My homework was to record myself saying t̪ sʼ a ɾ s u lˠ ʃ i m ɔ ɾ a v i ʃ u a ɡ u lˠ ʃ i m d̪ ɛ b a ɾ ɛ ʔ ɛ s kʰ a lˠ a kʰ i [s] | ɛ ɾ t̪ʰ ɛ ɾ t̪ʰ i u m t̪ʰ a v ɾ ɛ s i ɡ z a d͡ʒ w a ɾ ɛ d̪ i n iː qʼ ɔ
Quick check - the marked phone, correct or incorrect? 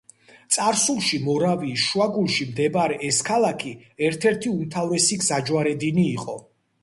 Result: incorrect